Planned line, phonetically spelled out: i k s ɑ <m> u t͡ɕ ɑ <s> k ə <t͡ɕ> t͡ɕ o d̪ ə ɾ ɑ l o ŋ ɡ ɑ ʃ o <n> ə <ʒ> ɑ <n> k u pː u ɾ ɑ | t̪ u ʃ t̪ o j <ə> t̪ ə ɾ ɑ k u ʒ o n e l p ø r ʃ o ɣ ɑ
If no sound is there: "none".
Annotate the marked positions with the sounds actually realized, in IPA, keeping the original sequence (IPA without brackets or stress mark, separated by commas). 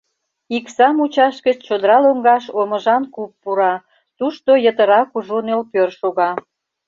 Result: m, ʃ, t͡ɕ, m, ʒ, n, ə